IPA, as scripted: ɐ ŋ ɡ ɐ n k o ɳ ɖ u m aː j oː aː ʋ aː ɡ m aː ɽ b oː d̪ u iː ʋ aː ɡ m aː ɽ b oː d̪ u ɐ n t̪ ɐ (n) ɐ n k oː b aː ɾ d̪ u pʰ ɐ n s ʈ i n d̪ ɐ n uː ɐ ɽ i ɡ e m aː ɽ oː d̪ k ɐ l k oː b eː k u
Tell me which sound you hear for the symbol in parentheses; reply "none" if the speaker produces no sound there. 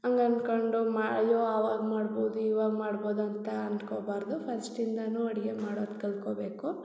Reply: none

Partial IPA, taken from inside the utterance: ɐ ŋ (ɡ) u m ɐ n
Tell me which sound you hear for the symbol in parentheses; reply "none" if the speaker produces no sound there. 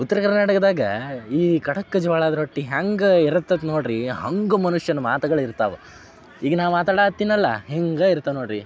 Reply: ɡ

